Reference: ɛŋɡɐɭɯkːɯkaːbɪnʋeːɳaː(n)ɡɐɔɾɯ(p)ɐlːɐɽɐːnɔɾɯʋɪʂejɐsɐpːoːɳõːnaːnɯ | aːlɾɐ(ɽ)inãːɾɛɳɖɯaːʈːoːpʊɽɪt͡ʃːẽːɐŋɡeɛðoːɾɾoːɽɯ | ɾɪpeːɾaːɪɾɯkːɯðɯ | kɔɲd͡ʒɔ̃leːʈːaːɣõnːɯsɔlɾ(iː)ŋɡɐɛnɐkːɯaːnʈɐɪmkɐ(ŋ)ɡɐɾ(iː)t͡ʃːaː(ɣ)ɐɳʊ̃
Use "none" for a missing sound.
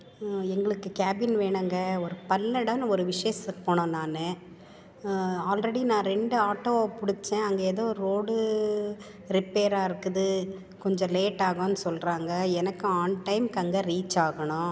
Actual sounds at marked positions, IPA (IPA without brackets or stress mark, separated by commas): ŋ, p, ɽ, aː, ŋ, iː, ɣ